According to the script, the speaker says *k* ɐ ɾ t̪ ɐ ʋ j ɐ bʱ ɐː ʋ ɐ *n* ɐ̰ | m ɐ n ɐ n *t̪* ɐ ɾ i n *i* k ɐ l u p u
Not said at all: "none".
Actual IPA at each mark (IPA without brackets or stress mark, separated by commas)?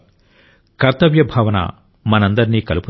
k, n, d̪, iː